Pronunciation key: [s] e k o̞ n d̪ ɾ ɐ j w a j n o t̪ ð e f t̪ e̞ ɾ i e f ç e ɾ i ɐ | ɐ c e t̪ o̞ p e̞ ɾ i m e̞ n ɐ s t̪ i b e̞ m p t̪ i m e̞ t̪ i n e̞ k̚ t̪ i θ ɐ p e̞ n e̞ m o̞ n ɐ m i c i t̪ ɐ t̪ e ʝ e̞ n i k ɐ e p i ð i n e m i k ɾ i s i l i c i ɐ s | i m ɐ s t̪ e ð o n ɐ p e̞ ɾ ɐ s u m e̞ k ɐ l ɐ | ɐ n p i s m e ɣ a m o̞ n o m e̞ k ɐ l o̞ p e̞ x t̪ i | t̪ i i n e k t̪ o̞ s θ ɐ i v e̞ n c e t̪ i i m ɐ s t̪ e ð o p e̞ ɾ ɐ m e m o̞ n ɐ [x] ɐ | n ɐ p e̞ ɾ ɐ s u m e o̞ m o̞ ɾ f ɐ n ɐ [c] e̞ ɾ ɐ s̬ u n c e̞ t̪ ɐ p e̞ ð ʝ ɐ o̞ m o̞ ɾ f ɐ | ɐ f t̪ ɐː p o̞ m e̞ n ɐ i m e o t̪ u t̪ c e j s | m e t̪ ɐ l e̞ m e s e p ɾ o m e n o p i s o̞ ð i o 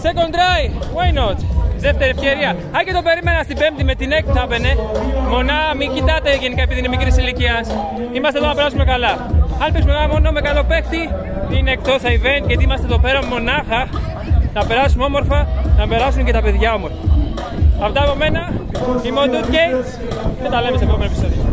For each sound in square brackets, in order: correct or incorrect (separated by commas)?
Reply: correct, correct, incorrect